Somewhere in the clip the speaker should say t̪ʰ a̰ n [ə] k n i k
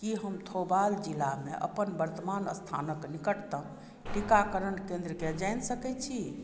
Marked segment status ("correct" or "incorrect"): correct